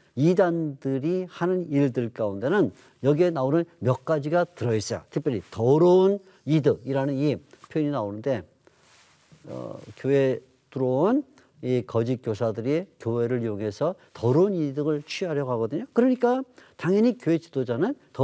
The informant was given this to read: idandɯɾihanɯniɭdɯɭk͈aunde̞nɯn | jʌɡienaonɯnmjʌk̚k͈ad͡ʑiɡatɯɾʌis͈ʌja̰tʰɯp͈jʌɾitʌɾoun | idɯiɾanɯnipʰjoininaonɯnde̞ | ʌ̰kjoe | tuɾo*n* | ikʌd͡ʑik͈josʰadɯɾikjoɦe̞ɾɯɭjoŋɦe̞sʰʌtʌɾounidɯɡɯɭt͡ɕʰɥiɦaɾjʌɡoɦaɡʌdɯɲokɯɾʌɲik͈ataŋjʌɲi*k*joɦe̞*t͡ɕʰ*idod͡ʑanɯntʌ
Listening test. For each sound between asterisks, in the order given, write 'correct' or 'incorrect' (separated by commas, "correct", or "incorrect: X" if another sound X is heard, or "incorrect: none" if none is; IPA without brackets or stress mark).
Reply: correct, correct, incorrect: t͡ɕ